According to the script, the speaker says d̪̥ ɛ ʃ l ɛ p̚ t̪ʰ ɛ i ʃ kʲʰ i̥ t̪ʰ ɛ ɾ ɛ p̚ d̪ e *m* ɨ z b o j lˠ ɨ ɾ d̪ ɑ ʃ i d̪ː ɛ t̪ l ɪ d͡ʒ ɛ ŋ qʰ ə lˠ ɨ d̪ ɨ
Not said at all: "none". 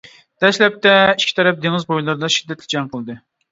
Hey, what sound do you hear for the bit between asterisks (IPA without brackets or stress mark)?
ŋ